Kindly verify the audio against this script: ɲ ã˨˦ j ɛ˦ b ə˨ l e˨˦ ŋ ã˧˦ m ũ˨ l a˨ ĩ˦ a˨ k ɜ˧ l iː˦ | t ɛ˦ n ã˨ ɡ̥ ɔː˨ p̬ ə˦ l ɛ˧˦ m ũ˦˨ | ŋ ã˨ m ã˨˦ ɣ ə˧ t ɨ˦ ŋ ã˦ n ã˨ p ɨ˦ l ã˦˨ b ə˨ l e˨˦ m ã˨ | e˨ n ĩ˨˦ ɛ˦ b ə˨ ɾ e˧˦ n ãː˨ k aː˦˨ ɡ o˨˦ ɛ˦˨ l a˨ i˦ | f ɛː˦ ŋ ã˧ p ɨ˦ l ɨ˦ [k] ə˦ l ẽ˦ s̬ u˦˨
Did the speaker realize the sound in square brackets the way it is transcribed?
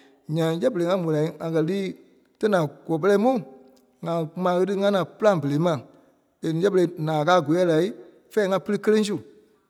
yes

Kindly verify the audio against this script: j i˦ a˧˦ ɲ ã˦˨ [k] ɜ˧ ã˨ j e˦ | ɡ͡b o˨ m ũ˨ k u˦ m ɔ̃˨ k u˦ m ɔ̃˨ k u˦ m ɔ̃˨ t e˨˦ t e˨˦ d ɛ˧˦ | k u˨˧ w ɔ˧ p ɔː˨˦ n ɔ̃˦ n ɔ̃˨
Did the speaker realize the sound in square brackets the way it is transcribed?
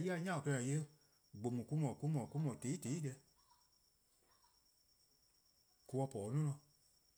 yes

